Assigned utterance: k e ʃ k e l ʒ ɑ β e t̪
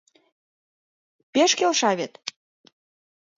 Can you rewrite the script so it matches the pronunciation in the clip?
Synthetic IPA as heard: p e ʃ k e l ʃ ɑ β e t̪

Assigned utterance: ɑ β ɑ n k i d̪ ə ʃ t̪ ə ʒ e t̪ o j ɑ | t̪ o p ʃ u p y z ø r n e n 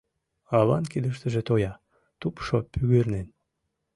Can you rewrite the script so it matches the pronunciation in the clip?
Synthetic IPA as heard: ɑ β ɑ n k i d̪ ə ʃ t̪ ə ʒ e t̪ o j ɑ | t̪ u p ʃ o p y ɣ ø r n e n

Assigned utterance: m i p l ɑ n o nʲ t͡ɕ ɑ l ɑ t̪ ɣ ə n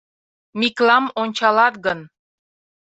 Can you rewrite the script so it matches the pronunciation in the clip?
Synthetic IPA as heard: m i k l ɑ m o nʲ t͡ɕ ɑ l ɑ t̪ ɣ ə n

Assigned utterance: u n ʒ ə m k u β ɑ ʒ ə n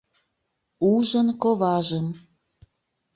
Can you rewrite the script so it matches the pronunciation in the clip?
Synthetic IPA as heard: u ʒ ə n k o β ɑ ʒ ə m

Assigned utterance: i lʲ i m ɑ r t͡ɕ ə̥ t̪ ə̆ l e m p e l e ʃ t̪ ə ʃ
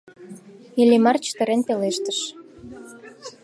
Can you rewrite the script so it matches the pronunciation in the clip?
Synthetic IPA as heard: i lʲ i m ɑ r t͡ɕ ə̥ t̪ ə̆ ɾ e n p e l e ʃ t̪ ə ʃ

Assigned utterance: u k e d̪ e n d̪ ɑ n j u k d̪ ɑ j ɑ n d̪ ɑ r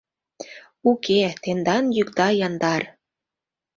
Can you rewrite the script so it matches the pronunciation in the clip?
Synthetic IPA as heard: u k e t̪ e n d̪ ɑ n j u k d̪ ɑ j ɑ n d̪ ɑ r

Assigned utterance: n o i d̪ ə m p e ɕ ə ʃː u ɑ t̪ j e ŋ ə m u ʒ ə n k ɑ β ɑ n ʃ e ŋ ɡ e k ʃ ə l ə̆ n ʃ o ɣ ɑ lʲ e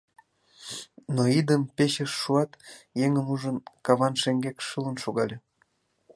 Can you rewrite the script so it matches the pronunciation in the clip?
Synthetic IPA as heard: n o i d̪ ə m p e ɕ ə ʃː u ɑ t̪ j e ŋ ə m u ʒ ə n k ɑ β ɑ n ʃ e ŋ ɡ e k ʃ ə l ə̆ n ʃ o ɣ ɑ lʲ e

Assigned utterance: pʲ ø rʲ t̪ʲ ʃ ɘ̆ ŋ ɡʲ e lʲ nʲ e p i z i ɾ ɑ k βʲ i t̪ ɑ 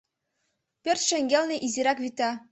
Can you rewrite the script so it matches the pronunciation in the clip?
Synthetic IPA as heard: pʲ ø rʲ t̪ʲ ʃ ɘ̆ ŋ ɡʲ e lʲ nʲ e ʔ i z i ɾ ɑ k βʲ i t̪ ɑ

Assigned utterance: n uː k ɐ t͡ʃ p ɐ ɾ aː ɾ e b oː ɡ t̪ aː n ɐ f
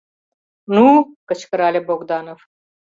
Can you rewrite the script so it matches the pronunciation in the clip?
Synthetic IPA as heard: n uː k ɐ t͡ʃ k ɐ ɾ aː l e b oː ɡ d̪ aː n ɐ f

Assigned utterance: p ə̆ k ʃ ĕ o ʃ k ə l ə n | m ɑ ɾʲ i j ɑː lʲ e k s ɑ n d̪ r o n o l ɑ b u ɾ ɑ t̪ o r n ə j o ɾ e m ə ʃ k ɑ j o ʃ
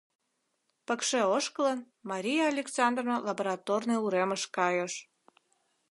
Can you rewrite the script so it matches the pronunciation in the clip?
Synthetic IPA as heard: p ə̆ k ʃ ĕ o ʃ k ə l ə n | m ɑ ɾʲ i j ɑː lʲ e k s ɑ n d̪ r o n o l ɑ b o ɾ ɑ t̪ o r n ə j u ɾ e m ə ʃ k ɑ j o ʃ

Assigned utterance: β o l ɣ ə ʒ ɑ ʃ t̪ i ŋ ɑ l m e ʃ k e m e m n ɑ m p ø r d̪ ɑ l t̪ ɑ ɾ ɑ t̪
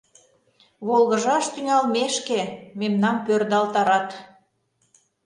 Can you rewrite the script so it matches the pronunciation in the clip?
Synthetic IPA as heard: β o l ɣ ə ʒ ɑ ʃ t̪ y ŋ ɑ l m e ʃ k e m e m n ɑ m p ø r d̪ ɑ l t̪ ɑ ɾ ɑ t̪

